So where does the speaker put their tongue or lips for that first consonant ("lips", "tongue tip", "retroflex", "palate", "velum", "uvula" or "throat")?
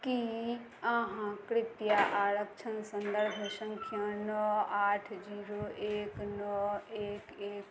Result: velum